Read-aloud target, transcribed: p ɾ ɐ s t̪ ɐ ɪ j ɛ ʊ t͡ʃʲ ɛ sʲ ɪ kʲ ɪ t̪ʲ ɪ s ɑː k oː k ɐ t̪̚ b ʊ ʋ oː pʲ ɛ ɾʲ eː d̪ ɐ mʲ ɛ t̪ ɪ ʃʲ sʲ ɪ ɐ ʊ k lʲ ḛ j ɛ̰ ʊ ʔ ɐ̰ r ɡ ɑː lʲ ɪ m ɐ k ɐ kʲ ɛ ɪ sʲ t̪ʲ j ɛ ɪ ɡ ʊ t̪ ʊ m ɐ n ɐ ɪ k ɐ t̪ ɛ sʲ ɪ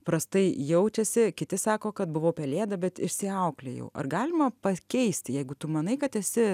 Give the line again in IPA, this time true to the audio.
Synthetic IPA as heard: p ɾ ɐ s t̪ ɐ ɪ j ɛ ʊ t͡ʃʲ ɛ sʲ ɪ kʲ ɪ t̪ʲ ɪ s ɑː k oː k ɐ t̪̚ b ʊ ʋ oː pʲ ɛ lʲ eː d̪ ɐ bʲ ɛ t̪ ɪ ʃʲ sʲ ɪ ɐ ʊ k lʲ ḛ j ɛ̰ ʊ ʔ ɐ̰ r ɡ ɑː lʲ ɪ m ɐ p ɐ kʲ ɛ ɪ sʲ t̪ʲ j ɛ ɪ ɡ ʊ t̪ ʊ m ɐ n ɐ ɪ k ɐ t̪ ɛ sʲ ɪ

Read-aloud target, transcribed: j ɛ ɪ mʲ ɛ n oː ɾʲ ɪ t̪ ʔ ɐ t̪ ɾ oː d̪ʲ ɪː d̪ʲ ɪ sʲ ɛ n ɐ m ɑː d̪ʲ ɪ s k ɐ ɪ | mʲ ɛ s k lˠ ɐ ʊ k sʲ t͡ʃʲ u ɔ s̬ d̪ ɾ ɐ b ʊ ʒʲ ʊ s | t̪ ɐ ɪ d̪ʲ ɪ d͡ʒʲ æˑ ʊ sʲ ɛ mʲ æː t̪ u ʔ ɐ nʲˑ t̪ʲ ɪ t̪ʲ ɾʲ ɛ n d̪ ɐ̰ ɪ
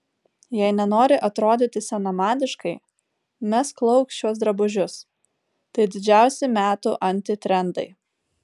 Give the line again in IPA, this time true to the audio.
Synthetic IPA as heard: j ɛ ɪ nʲ ɛ n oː ɾʲ ɪ ʔ ɐ t̪ ɾ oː d̪ʲ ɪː t̪ʲ ɪ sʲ ɛ n ɐ m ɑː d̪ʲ ɪ ʃ k ɐ ɪ | mʲ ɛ s k lˠ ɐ ʊ k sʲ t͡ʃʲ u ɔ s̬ d̪ ɾ ɐ b ʊ ʒʲ ʊ s | t̪ ɐ ɪ d̪ʲ ɪ d͡ʒʲ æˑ ʊ sʲ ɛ mʲ æː t̪ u ʔ ɐ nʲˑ t̪ʲ ɪ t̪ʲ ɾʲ ɛ n d̪ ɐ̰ ɪ

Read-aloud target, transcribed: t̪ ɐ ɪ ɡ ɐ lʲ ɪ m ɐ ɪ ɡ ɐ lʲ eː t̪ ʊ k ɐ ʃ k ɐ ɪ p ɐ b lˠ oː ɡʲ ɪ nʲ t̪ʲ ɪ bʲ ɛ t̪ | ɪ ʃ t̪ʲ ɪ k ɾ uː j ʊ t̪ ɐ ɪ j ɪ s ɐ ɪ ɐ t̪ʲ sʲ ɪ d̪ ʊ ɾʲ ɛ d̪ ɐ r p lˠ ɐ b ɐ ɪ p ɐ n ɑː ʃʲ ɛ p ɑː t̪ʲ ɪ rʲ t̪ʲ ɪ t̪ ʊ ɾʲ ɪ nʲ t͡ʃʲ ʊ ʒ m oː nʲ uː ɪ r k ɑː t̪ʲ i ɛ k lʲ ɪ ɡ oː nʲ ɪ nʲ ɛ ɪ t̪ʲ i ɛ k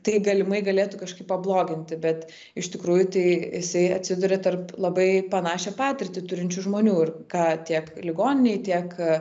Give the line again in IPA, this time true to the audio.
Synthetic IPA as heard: t̪ ɐ ɪ ɡ ɐ lʲ ɪ m ɐ ɪ ɡ ɐ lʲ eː t̪ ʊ k ɐ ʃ k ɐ ɪ p ɐ b lˠ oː ɡʲ ɪ nʲ t̪ʲ ɪ bʲ ɛ t̪ | ɪ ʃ t̪ʲ ɪ k ɾ uː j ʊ t̪ ɐ ɪ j ɪ s ɐ ɪ ɐ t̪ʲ sʲ ɪ d̪ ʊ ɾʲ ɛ t̪ ɐ r p lˠ ɐ b ɐ ɪ p ɐ n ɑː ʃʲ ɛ p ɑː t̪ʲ ɪ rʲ t̪ʲ ɪ t̪ ʊ ɾʲ ɪ nʲ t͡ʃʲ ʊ ʒ m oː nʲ uː ɪ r k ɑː t̪ʲ i ɛ k lʲ ɪ ɡ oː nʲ ɪ nʲ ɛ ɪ t̪ʲ i ɛ k

